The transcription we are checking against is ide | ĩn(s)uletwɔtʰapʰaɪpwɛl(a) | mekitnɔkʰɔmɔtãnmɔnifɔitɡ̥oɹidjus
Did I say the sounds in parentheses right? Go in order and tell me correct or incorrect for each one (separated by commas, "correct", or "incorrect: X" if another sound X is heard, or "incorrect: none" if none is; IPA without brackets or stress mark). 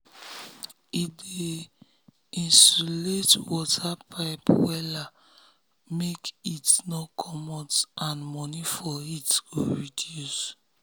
correct, correct